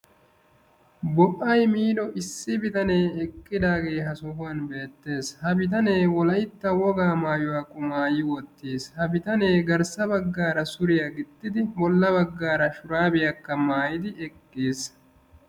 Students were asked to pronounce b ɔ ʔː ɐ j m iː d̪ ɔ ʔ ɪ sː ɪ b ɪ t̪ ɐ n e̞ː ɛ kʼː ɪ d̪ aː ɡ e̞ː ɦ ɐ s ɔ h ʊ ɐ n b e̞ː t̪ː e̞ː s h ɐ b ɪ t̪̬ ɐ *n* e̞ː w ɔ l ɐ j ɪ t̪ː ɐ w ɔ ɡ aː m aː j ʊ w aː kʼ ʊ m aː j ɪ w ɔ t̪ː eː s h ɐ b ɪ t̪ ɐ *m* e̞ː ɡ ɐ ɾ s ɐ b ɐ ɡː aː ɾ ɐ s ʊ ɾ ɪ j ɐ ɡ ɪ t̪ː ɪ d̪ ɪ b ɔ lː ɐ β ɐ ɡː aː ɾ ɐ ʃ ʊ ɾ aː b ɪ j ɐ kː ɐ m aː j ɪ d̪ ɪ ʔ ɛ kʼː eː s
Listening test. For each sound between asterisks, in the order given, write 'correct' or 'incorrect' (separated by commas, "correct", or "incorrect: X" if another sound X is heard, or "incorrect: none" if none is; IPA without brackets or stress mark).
correct, incorrect: n